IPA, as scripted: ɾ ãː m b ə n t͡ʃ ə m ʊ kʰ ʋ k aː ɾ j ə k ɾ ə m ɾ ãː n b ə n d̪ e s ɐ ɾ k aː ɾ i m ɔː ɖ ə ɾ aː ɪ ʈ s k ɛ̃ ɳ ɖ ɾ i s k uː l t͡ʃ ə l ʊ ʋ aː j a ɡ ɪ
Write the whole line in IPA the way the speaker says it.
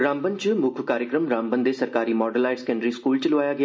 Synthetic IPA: ɾ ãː m b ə n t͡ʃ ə m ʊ kʰ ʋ k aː ɾ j ə k ɾ ə m ɾ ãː m b ə n d̪ e s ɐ ɾ k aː ɾ i m ɔː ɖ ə l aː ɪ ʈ s k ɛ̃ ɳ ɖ ɾ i s k uː l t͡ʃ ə l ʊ ʋ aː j a ɡ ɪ